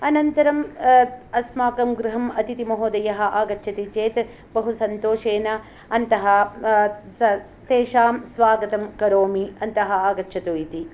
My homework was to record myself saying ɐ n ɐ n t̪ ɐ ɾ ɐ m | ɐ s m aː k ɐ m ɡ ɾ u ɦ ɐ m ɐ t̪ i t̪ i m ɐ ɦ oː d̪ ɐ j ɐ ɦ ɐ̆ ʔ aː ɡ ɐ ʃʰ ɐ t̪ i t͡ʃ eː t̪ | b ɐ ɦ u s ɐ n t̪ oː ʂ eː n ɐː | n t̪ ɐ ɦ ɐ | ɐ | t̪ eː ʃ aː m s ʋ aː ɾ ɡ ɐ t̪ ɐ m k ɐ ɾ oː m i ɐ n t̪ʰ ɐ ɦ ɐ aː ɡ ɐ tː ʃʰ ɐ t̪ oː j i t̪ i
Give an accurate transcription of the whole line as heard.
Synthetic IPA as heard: ɐ n ɐ n t̪ ɐ ɾ ɐ m | ɐ s m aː k ɐ m ɡ ɾ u ɦ ɐ m ɐ t̪ i t̪ i m ɐ ɦ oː d̪ ɐ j ɐ ɦ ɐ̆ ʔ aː ɡ ɐ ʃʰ ɐ t̪ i t͡ʃ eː t̪ | b ɐ ɦ u s ɐ n t̪ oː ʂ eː n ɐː | n t̪ ɐ ɦ ɐ | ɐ | t̪ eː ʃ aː m s ʋ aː ɡ ɐ t̪ ɐ m k ɐ ɾ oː m i ɐ n t̪ ɐ ɦ ɐ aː ɡ ɐ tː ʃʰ ɐ t̪ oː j i t̪ i